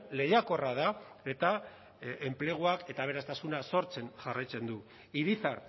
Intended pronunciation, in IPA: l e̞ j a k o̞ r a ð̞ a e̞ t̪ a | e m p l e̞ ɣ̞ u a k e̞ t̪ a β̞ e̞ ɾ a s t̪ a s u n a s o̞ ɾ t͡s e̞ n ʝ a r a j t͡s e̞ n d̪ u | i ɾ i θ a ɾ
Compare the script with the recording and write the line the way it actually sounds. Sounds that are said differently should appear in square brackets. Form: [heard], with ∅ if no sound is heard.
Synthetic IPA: l e̞ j a k o̞ r a ð̞ a e̞ t̪ a | e m p l e̞ ɣ̞ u a k e̞ t̪ a β̞ e̞ ɾ a s t̪ a s u n a s o̞ ɾ t͡s e̞ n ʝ a r a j t͡s e̞ n d̪ u | i ɾ i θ a ɾ